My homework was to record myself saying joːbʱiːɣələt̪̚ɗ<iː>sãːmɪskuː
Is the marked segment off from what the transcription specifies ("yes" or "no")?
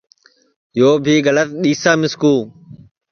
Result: no